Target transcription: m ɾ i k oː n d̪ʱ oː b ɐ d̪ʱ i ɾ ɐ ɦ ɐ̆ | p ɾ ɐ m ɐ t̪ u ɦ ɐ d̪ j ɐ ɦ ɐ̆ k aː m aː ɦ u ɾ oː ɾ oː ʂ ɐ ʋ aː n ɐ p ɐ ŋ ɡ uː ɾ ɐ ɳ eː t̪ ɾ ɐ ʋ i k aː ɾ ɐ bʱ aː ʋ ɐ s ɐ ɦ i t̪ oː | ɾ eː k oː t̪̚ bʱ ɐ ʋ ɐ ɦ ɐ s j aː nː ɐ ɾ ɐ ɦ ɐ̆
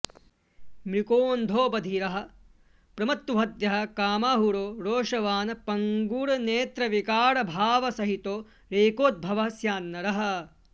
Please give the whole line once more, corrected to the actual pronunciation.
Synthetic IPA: m ɾ i k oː n d̪ʱ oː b ɐ d̪ʱ i ɾ ɐ ɦ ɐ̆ | p ɾ ɐ m ɐ t̪ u ɦ ɐ d̪ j ɐ ɦ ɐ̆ k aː m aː ɦ u ɾ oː ɾ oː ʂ ɐ ʋ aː n ɐ p ɐ ŋ ɡ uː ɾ ɐ n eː t̪ ɾ ɐ ʋ i k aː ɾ ɐ bʱ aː ʋ ɐ s ɐ ɦ i t̪ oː | ɾ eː k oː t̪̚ bʱ ɐ ʋ ɐ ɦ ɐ s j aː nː ɐ ɾ ɐ ɦ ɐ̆

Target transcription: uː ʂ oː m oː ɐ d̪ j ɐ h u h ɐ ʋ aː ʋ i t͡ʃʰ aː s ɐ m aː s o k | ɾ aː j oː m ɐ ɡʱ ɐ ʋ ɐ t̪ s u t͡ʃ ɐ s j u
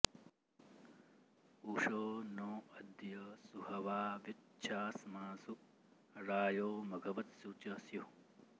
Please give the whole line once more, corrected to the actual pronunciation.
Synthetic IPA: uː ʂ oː n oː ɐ d̪ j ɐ s u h ɐ ʋ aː ʋ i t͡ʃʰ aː s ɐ m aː s u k | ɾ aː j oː m ɐ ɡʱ ɐ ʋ ɐ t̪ s u t͡ʃ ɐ s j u

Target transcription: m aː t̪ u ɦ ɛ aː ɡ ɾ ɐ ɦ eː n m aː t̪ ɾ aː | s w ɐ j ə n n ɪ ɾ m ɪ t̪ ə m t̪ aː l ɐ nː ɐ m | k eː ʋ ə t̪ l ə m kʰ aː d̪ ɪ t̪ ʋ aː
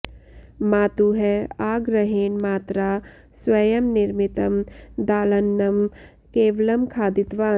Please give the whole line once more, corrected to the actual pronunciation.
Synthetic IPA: m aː t̪ u ɦ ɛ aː ɡ ɾ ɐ ɦ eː n m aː t̪ ɾ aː | s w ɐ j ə m n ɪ ɾ m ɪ t̪ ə m d̪ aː l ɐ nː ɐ m | k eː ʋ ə l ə m kʰ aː d̪ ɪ t̪ ʋ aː

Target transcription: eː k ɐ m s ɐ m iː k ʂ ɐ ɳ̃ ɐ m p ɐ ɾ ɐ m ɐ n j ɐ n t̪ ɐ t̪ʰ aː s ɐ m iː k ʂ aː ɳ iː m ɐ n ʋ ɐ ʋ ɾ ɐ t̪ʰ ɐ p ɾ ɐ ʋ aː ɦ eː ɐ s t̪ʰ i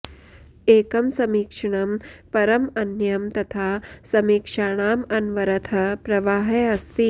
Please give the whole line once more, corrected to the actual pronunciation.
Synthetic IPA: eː k ɐ m s ɐ m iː k ʂ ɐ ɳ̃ ɐ m p ɐ ɾ ɐ m ɐ n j ɐ m t̪ ɐ t̪ʰ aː s ɐ m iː k ʂ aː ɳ aː m ɐ n ʋ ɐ ɾ ɐ t̪ʰ ɐ p ɾ ɐ ʋ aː ɦ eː ɐ s t̪ i

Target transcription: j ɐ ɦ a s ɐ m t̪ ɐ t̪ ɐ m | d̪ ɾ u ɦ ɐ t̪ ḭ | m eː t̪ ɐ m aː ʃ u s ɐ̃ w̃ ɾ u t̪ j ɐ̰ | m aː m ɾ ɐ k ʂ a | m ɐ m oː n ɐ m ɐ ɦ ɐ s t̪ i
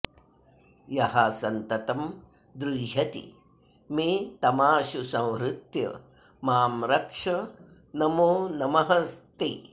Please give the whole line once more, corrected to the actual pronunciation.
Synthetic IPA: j ɐ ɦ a s ɐ n t̪ ɐ t̪ ɐ m | d̪ ɾ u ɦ ɐ t̪ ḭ | m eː t̪ ɐ m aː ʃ u s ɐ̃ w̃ ɾ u t̪ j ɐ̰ | m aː m ɾ ɐ k ʂ ɐ | n ɐ m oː n ɐ m ɐ ɦ ɐ s t̪ i

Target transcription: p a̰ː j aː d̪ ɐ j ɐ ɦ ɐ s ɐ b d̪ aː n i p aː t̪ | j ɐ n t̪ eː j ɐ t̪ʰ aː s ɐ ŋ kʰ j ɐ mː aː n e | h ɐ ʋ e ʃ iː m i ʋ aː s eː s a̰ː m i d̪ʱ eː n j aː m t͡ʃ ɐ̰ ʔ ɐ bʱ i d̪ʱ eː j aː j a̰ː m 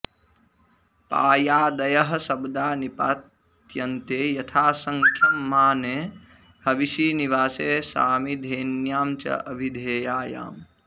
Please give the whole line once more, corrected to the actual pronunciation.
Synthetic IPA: p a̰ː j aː d̪ ɐ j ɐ ɦ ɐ s ɐ b d̪ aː n i p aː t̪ | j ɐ n t̪ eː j ɐ t̪ʰ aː s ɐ ŋ kʰ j ɐ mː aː n e | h ɐ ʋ i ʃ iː n i ʋ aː s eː s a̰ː m i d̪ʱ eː n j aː m t͡ʃ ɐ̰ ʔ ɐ bʱ i d̪ʱ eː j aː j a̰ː m

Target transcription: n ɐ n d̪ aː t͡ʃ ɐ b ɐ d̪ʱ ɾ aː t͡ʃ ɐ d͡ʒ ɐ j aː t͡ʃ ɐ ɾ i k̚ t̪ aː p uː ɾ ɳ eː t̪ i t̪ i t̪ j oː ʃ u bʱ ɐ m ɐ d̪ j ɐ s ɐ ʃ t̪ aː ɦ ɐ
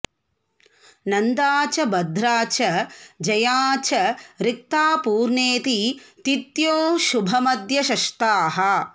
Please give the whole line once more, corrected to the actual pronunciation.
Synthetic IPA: n ɐ n d̪ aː t͡ʃ ɐ b ɐ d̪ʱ ɾ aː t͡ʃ ɐ d͡ʒ ɐ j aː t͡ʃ ɐ ɾ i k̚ t̪ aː p uː ɾ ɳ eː t̪ i t̪ i t̪ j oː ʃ u bʱ ɐ m ɐ d̪ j ɐ ʃ ɐ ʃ t̪ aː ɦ ɐ

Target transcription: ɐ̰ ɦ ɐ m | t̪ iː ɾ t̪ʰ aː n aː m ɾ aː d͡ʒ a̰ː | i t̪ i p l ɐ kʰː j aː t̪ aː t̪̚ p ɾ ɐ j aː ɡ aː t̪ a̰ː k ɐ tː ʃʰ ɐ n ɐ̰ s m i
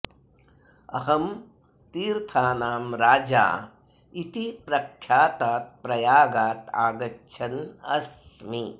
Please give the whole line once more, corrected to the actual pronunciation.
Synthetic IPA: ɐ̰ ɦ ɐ m | t̪ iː ɾ t̪ʰ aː n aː m ɾ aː d͡ʒ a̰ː | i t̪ i p ɾ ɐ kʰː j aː t̪ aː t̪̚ p ɾ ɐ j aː ɡ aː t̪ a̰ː ɡ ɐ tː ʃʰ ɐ n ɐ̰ s m i

